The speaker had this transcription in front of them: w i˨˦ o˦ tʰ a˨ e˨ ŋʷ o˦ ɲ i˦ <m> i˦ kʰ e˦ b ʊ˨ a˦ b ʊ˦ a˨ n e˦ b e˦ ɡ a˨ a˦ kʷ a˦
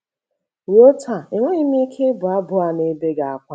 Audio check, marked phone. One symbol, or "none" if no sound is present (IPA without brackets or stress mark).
m